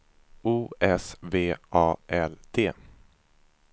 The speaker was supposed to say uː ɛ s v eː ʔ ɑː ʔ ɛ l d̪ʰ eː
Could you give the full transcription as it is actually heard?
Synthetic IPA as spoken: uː ɛ s v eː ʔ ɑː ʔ ɛ l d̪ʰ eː